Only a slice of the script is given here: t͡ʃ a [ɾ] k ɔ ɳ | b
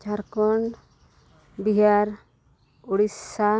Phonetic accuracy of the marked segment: correct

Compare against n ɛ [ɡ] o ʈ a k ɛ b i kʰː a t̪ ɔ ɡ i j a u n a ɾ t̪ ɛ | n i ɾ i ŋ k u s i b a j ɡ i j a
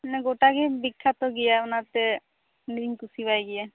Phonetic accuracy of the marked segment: correct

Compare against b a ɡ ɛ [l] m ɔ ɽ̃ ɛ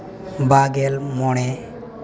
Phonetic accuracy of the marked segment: correct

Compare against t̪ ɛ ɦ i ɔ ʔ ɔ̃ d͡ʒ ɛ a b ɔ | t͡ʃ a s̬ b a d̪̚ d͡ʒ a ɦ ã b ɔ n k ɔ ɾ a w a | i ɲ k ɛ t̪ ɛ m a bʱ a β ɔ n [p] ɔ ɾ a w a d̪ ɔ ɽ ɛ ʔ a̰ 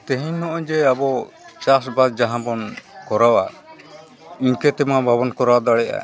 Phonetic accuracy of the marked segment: incorrect: k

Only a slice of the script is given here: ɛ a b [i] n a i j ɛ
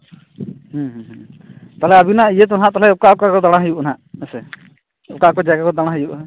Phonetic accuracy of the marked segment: correct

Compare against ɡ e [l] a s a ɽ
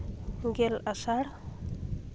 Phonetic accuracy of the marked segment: correct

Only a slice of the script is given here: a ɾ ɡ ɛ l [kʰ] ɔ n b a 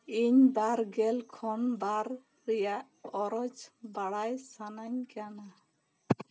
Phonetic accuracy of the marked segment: correct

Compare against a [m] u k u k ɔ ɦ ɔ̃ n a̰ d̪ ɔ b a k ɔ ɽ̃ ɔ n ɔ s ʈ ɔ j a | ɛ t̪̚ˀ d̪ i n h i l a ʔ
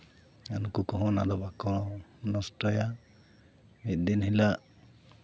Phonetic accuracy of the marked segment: incorrect: n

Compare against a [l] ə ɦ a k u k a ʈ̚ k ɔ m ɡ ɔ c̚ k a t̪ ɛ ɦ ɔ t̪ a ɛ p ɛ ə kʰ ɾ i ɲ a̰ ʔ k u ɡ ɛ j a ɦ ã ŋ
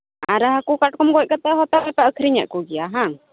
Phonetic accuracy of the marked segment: incorrect: ɾ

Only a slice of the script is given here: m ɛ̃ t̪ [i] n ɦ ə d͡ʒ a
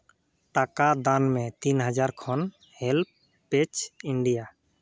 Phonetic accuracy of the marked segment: correct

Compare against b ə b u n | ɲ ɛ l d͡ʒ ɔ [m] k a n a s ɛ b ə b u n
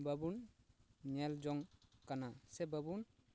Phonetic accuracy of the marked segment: incorrect: ŋ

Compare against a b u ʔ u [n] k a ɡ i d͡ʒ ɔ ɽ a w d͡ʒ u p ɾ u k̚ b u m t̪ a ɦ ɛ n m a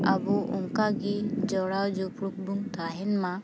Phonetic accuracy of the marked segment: incorrect: ŋ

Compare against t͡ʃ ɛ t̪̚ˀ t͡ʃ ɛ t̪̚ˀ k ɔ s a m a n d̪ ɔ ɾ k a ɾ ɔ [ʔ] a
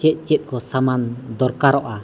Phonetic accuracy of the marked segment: correct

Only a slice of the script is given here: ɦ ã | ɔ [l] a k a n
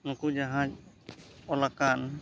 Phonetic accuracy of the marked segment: correct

